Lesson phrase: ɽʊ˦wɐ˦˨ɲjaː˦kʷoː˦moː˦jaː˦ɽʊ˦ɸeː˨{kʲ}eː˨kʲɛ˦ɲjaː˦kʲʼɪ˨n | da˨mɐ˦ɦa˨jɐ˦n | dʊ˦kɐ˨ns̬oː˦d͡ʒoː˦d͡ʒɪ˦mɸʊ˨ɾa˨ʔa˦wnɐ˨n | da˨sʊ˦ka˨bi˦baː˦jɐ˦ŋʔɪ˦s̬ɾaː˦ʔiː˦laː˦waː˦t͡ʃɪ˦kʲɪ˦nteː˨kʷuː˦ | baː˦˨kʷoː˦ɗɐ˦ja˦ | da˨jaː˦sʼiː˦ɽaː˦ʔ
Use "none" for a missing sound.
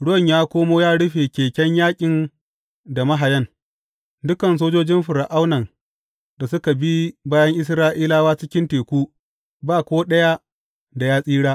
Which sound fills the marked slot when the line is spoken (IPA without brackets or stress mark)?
kʲ